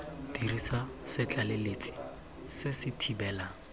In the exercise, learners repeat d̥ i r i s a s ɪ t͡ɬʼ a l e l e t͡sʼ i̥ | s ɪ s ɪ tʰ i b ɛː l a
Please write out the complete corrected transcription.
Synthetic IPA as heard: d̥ i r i s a s ɪ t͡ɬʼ a l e l e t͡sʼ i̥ | s ɪ s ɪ tʰ i b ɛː l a